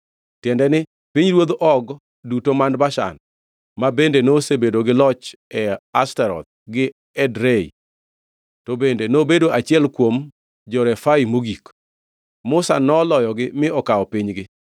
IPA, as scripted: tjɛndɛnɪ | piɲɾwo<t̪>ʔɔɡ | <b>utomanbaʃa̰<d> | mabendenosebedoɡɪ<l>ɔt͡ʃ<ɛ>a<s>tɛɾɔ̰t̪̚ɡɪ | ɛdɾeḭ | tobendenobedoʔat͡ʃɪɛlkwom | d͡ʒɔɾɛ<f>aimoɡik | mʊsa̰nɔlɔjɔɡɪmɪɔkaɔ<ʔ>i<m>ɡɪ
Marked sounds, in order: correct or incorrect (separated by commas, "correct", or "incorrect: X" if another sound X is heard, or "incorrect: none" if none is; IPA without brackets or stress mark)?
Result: incorrect: d̪, incorrect: d, incorrect: n, correct, correct, correct, correct, incorrect: p, incorrect: ɲ